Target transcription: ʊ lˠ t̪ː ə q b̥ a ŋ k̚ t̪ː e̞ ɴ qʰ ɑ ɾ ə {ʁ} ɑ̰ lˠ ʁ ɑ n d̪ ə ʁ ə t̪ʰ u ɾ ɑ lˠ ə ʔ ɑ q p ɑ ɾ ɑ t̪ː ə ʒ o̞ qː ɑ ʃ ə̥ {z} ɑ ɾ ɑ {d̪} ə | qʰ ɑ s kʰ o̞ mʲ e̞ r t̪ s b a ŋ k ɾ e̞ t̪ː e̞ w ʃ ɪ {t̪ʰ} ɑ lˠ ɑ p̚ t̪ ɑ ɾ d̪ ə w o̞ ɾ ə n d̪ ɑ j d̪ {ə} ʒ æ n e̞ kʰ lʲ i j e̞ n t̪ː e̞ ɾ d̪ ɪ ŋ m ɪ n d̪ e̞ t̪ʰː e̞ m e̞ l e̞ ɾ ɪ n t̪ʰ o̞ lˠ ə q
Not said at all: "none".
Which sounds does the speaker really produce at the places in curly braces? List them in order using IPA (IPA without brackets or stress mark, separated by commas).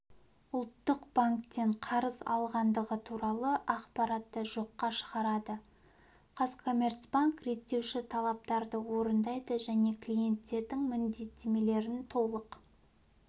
z, ʁ, d̪, t̪ʰ, ə